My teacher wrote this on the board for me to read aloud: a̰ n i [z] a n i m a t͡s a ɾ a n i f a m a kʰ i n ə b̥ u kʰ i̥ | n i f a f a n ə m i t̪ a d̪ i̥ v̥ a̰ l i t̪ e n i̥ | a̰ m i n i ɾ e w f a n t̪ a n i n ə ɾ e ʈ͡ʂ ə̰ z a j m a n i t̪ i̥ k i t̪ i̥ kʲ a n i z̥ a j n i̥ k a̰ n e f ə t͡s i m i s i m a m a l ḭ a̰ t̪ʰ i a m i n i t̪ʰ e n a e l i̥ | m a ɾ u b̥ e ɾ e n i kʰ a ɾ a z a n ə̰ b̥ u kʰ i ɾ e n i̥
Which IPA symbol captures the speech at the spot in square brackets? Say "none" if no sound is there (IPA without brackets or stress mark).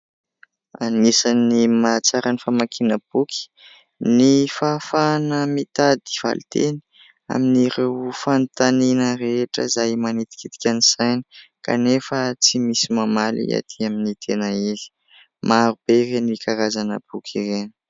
s